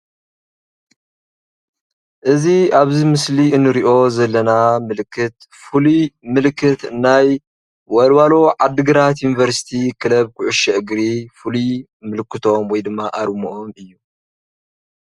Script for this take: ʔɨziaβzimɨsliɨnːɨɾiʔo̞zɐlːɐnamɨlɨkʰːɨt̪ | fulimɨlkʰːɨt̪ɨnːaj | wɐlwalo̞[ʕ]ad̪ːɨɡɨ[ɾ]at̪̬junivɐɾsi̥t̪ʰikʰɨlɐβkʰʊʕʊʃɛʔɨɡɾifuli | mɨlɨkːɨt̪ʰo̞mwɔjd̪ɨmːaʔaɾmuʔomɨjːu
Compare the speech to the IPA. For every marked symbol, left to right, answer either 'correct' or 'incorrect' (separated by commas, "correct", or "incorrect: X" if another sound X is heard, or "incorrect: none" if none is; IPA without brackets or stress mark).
correct, correct